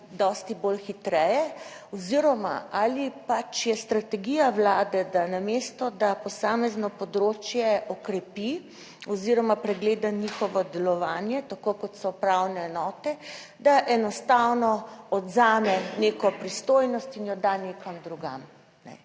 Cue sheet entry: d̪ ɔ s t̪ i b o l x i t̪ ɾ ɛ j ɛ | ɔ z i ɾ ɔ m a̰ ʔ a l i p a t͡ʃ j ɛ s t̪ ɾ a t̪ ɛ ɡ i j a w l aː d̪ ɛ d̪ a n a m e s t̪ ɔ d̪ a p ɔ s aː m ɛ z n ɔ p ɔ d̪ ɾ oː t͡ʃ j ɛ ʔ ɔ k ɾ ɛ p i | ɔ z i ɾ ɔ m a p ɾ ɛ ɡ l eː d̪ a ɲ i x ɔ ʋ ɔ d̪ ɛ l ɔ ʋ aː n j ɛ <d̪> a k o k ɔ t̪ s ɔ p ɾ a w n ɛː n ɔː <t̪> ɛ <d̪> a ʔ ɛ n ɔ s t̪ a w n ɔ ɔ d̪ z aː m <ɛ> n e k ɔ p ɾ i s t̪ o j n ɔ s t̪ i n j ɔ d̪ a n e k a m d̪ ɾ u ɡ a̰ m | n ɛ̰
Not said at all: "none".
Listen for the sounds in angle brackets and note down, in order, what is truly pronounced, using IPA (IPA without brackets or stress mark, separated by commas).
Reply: t̪, t̪, d̪, ɛ